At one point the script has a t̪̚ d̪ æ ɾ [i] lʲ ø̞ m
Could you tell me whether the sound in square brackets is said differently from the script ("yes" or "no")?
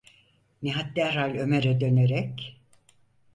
yes